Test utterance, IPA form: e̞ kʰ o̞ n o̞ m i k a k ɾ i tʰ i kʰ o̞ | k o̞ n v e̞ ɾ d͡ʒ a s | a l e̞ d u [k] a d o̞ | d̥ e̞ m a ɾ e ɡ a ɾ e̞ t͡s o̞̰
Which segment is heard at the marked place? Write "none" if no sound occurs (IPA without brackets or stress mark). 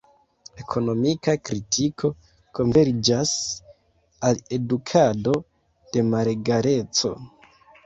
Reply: kʰ